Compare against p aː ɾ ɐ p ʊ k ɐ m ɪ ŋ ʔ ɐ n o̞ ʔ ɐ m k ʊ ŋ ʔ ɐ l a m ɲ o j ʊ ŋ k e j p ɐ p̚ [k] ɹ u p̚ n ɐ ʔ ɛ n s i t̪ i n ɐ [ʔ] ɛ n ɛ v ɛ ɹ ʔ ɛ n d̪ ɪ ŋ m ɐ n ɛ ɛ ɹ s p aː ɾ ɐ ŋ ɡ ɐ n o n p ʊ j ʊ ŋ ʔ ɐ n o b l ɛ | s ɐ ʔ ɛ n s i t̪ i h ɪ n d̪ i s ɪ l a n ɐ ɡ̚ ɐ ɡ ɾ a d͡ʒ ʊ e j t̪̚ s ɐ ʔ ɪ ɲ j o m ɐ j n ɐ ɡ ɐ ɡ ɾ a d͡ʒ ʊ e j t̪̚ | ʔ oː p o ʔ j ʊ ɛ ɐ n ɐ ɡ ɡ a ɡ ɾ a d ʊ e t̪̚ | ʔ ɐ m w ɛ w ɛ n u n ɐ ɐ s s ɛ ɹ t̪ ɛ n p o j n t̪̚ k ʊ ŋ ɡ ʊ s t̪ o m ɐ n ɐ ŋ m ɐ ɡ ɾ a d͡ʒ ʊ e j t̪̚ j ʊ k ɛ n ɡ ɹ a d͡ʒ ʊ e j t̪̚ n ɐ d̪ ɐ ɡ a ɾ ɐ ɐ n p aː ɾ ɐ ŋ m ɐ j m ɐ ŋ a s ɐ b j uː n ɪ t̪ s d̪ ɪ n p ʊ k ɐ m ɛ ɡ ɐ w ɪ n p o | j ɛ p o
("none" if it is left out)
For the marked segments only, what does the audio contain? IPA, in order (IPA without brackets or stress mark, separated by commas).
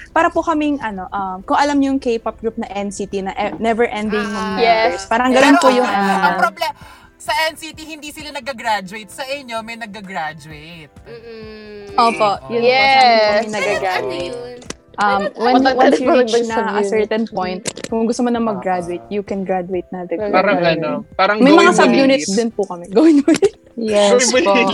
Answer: ɡ, ʔ